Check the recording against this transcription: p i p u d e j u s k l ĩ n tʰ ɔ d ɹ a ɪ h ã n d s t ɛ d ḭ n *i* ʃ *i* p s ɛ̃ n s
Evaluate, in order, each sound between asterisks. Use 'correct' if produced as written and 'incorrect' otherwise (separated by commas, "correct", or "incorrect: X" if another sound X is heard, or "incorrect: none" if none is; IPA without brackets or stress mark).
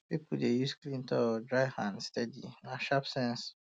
incorrect: a, incorrect: a